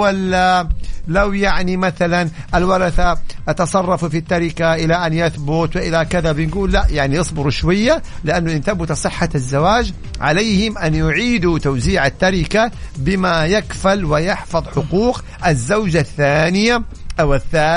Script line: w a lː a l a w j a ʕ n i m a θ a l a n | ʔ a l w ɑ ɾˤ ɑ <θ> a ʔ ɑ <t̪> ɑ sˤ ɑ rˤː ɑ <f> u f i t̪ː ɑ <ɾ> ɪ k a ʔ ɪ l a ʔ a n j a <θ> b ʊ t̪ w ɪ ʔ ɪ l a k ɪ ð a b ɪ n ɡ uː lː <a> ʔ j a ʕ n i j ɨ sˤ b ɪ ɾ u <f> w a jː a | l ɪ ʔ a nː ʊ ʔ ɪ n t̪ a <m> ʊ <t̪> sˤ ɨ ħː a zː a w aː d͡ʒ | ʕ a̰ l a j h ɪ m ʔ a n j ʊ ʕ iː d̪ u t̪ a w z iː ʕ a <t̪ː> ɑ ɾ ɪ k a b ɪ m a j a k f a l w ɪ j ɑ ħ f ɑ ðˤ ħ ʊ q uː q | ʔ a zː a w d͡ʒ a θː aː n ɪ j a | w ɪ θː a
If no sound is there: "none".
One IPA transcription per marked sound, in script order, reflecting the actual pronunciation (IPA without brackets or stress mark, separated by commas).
θ, t̪, f, ɾ, θ, a, ʃ, b, t̪, t̪ː